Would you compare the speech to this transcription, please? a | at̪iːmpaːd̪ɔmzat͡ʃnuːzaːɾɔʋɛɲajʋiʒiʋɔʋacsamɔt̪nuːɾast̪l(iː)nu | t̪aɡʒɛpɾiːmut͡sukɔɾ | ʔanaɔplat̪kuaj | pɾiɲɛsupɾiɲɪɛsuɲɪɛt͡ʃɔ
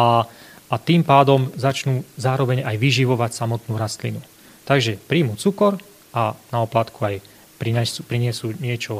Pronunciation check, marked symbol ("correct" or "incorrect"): incorrect